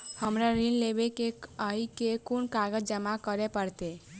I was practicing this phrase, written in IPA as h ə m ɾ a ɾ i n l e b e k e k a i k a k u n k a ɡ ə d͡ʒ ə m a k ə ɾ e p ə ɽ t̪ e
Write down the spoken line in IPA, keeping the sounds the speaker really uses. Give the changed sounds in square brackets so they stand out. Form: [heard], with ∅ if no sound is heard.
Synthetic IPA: h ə m ɾ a ɾ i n l e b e k e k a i k [e] k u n k a ɡ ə d͡ʒ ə m a k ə ɾ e p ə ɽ t̪ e